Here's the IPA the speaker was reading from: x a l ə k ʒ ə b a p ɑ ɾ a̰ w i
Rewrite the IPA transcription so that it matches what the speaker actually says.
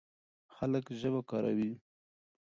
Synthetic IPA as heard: x a l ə k ʒ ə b a k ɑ ɾ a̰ w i